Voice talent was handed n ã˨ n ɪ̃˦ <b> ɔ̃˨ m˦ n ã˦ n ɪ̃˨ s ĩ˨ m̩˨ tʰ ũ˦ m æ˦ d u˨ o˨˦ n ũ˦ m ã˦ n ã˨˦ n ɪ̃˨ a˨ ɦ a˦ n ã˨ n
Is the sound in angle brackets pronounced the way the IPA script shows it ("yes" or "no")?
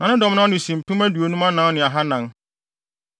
no